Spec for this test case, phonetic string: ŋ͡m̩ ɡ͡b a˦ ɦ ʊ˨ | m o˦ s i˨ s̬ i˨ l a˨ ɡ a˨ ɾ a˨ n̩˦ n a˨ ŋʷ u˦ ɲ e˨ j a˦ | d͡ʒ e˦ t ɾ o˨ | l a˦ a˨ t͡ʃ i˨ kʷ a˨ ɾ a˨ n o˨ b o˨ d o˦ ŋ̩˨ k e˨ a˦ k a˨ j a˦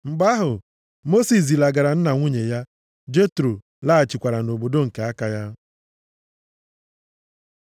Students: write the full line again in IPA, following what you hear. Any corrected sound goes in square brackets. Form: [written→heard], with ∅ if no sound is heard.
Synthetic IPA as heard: ŋ͡m̩ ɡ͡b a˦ ɦ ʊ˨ | m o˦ s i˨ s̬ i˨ l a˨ ɡ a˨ ɾ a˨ n̩˦ n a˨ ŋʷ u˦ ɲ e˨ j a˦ | d͡ʒ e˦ t ɾ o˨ | l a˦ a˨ t͡ʃ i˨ kʷ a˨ ɾ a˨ n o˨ b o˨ d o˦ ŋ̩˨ k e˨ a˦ k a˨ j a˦